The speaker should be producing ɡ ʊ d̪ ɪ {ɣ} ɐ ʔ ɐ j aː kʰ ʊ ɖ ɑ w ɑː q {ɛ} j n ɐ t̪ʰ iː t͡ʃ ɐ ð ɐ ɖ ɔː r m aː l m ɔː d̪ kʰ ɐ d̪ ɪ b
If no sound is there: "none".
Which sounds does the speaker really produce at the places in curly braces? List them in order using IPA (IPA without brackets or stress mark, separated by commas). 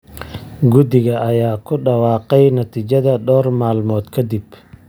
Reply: ɣ, ɛ